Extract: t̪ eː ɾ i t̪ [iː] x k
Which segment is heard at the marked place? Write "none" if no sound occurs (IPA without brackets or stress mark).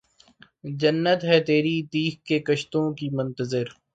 iː